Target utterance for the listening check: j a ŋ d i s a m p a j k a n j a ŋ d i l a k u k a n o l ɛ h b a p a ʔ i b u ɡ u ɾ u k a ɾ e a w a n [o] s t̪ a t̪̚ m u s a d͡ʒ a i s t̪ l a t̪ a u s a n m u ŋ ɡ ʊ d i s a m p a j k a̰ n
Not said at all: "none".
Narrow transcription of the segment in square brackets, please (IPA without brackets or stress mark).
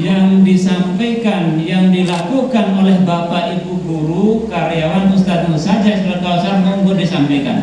u